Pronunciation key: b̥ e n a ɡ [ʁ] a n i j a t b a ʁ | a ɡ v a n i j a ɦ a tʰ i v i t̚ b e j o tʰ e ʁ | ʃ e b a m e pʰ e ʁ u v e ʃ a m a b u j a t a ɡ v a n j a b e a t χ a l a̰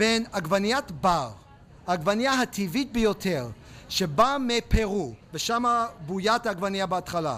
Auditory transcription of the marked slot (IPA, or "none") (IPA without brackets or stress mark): v